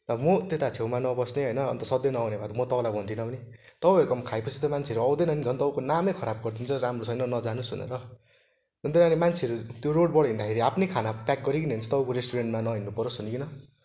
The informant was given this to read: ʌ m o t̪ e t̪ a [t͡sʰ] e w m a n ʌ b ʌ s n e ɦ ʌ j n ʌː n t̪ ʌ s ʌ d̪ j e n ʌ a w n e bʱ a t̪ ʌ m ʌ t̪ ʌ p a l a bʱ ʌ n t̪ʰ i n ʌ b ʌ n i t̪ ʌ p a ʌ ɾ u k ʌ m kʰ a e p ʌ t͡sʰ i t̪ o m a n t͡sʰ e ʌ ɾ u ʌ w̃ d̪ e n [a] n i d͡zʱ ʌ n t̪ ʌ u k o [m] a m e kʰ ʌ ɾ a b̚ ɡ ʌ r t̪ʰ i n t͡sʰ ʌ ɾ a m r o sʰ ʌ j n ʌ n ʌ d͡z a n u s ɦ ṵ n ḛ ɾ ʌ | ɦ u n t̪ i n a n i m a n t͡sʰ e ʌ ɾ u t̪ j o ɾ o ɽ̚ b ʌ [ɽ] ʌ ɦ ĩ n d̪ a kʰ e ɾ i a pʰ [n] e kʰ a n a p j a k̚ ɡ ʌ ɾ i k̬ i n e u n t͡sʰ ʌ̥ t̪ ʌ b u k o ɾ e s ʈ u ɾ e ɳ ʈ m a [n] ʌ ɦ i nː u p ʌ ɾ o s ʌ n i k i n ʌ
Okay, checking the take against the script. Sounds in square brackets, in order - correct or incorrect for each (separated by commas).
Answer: correct, incorrect, incorrect, correct, correct, correct